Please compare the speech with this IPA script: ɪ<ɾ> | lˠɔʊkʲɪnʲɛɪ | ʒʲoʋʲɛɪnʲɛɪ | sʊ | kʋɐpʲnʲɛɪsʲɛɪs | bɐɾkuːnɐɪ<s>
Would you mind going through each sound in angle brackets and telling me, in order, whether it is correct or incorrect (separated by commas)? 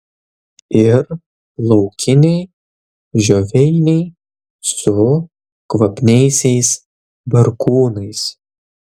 correct, correct